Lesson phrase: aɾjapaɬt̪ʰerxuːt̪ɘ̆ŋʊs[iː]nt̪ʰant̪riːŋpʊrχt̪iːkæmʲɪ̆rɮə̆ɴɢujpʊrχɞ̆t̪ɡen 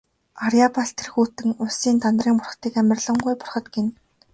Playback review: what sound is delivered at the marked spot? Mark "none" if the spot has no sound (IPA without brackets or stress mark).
iː